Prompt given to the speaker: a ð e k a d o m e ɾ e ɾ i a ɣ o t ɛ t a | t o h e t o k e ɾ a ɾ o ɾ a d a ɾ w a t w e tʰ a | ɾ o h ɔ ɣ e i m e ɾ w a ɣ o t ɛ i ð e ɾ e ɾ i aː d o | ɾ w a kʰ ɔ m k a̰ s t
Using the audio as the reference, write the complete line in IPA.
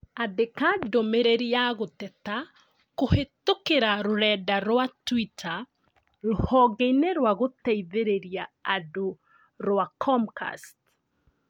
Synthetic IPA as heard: a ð e k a d o m e ɾ e ɾ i a ɣ o t ɛ t a | k o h e t o k e ɾ a ɾ o ɾ ɛ d a ɾ w a t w i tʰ a | ɾ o h ɔ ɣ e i n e ɾ w a ɣ o t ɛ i ð e ɾ e ɾ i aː d o | ɾ w a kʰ ɔ m k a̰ s t